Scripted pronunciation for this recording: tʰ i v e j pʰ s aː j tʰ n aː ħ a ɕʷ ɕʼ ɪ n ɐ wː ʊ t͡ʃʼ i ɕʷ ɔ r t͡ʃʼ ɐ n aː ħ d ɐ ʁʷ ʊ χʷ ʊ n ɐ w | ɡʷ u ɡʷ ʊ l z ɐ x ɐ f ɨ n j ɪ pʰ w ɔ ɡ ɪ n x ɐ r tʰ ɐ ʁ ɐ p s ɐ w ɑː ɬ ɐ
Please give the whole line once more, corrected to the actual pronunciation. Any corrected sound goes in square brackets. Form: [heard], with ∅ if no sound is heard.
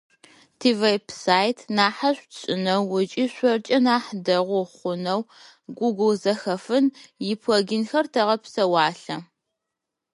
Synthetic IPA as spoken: tʰ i v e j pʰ s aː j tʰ n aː ħ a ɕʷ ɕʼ ɪ n ɐ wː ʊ t͡ʃʼ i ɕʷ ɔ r t͡ʃʼ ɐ n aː ħ d ɐ ʁʷ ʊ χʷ ʊ n ɐ w | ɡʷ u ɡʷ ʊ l z ɐ x ɐ f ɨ n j ɪ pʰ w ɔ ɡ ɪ n x ɐ r tʰ ɐ ʁ ɐ p s ɐ w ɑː ɬ ɐ